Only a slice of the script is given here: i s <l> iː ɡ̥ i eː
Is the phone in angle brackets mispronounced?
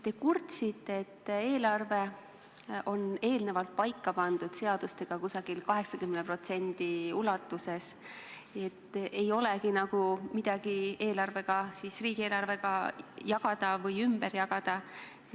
yes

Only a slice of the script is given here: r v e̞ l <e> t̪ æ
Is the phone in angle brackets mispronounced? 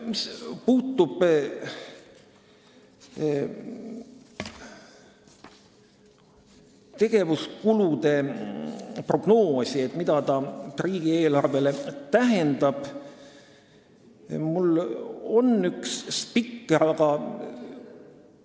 no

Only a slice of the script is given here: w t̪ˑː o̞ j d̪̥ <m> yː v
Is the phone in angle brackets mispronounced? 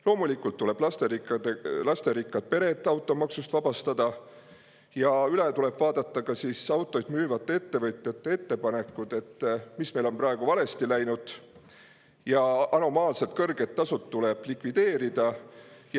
no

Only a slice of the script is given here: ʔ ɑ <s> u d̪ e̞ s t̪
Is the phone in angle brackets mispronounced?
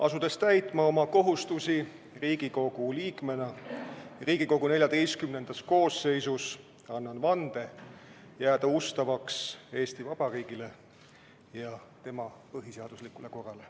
no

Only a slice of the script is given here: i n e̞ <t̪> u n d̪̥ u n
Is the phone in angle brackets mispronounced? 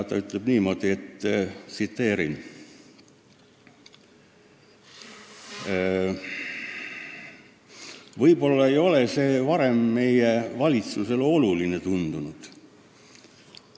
no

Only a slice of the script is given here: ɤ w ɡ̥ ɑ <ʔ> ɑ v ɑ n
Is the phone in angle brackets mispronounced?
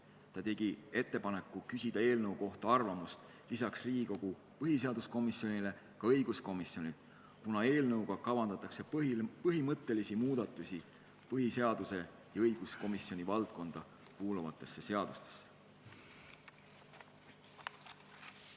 yes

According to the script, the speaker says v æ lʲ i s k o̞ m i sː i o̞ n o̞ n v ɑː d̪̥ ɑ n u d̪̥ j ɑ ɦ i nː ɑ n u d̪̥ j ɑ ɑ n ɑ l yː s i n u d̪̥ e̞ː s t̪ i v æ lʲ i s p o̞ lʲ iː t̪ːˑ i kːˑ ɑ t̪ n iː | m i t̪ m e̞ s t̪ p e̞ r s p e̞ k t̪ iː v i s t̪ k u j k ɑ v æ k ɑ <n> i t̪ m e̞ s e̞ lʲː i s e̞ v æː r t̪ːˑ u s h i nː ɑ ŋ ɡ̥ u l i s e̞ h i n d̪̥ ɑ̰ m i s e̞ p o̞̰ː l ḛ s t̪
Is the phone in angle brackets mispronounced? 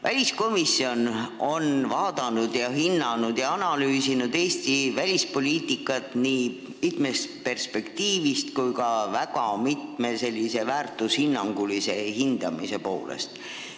yes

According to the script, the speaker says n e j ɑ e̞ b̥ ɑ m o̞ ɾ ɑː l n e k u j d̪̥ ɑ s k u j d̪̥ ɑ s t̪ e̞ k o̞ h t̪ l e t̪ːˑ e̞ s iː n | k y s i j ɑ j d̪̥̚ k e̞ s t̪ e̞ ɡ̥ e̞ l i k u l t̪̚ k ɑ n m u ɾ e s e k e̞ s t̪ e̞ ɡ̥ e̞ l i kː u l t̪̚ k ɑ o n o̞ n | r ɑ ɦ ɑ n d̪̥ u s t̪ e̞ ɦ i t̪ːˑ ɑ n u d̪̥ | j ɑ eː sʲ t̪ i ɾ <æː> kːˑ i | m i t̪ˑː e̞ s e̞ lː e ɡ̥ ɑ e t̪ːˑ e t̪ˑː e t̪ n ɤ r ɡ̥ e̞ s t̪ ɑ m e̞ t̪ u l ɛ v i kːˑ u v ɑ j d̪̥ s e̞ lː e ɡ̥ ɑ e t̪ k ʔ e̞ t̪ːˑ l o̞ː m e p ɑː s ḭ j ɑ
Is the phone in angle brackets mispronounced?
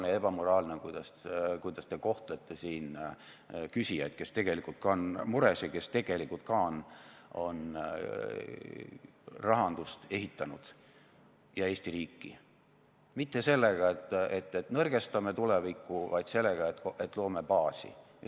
yes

